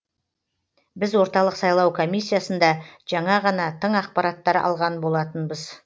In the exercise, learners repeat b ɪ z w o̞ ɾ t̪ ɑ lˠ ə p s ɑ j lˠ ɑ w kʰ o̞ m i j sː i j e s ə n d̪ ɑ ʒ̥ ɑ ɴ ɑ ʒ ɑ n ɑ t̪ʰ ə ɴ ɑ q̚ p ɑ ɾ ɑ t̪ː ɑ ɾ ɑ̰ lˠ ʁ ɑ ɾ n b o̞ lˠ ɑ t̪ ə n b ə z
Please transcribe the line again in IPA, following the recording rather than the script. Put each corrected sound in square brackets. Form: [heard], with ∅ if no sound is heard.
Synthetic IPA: b ɪ z w o̞ ɾ t̪ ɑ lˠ ə [q] s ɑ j lˠ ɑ w kʰ o̞ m i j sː i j [a] s ə n d̪ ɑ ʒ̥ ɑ ɴ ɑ [ʁ] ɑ n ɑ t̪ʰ ə ɴ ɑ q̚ p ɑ ɾ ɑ t̪ː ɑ ɾ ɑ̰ lˠ ʁ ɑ [∅] n b o̞ lˠ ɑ t̪ ə n b ə z